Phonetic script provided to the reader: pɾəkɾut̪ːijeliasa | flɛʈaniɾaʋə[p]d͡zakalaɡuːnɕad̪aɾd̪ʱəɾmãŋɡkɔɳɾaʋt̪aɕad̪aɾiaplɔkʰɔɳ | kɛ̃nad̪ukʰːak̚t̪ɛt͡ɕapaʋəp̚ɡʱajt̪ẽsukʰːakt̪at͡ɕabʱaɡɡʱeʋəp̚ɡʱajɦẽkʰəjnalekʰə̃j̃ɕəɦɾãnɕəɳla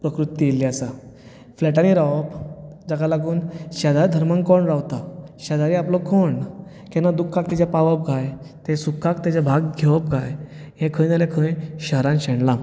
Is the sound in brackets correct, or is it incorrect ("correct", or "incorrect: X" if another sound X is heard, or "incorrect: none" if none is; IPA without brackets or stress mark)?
correct